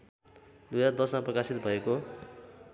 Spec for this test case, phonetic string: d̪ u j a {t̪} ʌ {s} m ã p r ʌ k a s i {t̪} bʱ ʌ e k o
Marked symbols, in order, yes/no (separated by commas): no, yes, yes